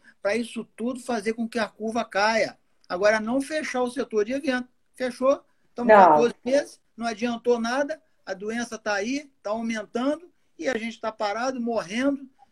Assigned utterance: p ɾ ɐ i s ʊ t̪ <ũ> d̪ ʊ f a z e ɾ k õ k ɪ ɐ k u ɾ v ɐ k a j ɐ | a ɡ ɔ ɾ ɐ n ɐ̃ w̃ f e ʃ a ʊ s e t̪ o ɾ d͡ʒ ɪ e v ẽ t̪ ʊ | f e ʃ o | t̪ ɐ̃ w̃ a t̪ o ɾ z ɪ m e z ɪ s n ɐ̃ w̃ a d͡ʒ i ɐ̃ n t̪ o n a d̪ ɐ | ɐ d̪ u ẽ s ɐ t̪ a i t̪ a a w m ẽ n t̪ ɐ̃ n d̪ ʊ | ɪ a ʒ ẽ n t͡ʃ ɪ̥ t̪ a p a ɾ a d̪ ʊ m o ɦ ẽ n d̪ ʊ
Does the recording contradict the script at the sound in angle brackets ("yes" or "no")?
yes